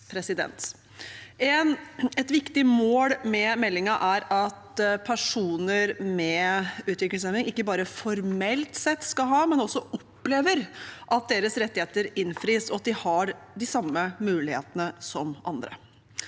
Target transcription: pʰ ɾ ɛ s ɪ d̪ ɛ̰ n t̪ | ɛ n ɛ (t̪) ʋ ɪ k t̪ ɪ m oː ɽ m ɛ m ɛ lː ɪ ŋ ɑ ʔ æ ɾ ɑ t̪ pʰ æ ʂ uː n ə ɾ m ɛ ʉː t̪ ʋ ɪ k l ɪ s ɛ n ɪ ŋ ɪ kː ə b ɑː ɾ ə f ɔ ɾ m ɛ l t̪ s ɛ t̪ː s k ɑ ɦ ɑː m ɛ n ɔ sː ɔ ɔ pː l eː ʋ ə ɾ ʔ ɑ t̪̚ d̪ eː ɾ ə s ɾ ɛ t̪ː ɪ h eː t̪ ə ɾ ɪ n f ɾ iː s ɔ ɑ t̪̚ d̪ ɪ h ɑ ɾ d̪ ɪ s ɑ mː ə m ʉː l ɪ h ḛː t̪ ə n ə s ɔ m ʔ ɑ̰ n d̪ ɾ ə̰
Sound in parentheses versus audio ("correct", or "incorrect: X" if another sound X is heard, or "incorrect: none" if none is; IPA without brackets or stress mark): correct